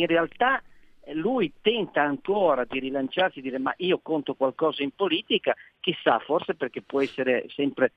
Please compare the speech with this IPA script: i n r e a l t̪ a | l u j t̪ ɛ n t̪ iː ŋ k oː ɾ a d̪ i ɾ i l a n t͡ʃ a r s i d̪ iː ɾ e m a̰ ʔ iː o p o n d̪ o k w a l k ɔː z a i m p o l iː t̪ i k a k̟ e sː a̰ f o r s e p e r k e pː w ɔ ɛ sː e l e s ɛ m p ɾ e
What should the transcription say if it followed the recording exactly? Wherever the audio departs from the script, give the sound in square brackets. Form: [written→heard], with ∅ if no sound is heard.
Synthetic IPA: i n r e a l t̪ a | l u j t̪ ɛ n t̪ [iː→aː] ŋ k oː ɾ a d̪ i ɾ i l a n t͡ʃ a r s i d̪ iː ɾ e m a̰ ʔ iː o [p→k] o n [d̪→t̪] o k w a l k ɔː z a i m p o l iː t̪ i k a k̟ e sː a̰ f o r s e p e r k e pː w ɔ ɛ sː e [l→ɾ] e s ɛ m p ɾ e